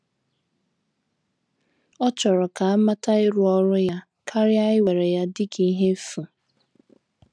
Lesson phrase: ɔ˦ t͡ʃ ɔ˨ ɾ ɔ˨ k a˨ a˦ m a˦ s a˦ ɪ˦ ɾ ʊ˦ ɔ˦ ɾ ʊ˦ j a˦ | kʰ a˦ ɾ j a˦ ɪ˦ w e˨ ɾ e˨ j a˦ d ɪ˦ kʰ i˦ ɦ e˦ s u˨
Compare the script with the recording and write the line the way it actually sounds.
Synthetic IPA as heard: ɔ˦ t͡ʃ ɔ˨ ɾ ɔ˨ k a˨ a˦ m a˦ t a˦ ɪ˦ ɾ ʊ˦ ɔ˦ ɾ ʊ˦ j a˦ | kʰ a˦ ɾ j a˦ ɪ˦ w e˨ ɾ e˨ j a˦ d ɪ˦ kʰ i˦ ɦ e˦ f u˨